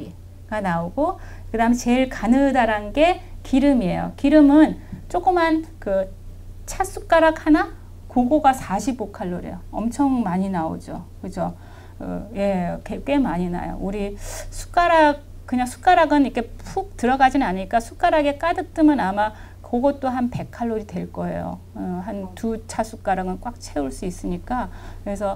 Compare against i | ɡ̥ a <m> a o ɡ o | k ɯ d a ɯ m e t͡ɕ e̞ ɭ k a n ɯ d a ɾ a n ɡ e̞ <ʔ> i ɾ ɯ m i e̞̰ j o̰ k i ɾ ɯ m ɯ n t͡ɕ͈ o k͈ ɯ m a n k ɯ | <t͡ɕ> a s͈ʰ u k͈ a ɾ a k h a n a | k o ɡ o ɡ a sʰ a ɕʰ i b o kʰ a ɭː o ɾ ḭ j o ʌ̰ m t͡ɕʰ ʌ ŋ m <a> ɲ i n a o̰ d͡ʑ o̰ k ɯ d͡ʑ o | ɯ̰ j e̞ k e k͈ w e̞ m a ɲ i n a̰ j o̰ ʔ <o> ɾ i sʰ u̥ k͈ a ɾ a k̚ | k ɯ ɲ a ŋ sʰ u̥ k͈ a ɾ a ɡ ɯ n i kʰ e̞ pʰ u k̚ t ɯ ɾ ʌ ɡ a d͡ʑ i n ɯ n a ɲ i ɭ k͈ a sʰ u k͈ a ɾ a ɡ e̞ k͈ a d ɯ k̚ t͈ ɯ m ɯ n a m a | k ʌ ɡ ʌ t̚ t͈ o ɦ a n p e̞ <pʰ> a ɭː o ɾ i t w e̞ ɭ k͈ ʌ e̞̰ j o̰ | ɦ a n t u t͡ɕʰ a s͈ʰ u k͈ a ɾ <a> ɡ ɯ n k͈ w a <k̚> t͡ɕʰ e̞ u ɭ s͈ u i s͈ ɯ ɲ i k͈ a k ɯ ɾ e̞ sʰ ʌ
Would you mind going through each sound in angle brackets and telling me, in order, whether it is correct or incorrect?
incorrect: n, incorrect: k, incorrect: t͡ɕʰ, correct, incorrect: u, incorrect: kʰ, correct, correct

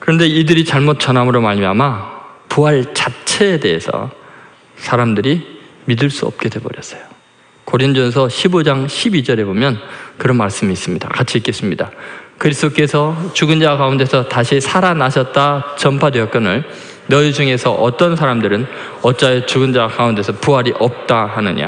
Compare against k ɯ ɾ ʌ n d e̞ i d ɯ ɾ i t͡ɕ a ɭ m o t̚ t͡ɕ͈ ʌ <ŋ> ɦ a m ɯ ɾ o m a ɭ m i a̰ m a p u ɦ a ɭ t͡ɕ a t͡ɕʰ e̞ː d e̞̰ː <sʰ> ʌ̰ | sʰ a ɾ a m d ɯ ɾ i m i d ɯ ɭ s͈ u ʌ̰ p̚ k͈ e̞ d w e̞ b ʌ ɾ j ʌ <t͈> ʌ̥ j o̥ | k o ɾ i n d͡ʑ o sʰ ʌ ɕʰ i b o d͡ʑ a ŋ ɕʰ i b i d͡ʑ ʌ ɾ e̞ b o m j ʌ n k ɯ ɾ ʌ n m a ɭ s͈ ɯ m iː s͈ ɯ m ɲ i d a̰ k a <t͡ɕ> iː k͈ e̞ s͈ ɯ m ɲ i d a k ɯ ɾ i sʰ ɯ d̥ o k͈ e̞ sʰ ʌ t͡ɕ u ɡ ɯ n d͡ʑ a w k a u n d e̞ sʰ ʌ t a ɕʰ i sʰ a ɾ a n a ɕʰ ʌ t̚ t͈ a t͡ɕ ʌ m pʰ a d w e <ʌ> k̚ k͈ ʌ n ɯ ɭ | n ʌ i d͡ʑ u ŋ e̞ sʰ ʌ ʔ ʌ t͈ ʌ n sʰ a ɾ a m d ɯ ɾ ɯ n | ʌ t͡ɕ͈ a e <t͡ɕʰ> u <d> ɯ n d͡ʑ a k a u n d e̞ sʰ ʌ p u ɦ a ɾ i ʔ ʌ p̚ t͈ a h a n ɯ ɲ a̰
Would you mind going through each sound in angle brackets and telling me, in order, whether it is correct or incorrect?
incorrect: n, correct, incorrect: s͈, incorrect: t͡ɕʰ, correct, incorrect: t͡ɕ, incorrect: ɡ

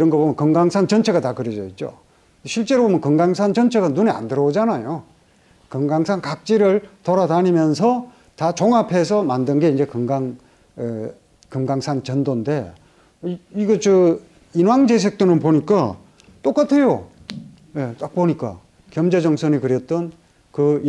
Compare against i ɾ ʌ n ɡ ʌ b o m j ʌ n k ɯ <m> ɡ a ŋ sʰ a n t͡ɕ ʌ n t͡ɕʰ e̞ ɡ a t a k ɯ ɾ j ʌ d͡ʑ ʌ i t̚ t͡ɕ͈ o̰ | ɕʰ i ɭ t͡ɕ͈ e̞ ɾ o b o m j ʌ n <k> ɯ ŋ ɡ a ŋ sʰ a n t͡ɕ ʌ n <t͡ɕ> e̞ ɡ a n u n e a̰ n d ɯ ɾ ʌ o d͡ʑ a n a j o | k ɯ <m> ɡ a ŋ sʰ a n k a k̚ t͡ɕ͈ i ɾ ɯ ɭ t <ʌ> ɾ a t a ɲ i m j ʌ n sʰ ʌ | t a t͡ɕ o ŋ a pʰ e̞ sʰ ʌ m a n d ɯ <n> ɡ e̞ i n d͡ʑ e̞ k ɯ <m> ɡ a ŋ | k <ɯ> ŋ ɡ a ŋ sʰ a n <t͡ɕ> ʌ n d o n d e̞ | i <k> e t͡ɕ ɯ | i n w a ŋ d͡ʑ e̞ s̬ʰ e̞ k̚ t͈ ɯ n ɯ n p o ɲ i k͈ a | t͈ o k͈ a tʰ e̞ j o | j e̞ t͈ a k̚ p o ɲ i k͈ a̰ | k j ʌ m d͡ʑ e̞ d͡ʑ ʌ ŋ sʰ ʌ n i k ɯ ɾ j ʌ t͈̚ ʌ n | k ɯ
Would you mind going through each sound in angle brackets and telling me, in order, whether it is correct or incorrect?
incorrect: ŋ, correct, incorrect: t͡ɕʰ, incorrect: ŋ, correct, correct, incorrect: ŋ, correct, correct, incorrect: ɡ

